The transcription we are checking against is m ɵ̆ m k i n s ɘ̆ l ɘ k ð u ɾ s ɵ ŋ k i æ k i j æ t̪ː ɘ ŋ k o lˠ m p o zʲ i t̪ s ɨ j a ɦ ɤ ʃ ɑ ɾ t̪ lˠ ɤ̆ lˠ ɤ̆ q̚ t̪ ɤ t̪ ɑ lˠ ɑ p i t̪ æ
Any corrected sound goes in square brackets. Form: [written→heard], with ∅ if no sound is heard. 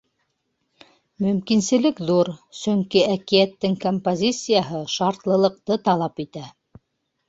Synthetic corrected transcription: m ɵ̆ m k i n s ɘ̆ l ɘ k ð u ɾ s ɵ ŋ k i æ k i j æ t̪ː ɘ ŋ k o [lˠ→∅] m p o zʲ i t̪ s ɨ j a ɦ ɤ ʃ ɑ ɾ t̪ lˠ ɤ̆ lˠ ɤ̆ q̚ t̪ ɤ t̪ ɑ lˠ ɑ p i t̪ æ